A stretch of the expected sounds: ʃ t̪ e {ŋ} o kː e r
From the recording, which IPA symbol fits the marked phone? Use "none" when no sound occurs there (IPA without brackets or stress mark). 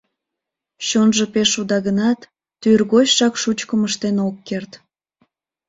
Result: n